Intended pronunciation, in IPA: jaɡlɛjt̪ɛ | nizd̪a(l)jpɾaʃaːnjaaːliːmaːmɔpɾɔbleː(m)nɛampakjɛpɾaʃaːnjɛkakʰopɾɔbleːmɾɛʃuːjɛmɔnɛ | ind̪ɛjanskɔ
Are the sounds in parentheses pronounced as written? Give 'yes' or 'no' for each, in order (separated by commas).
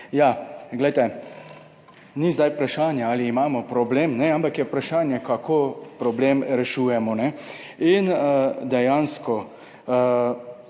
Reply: no, yes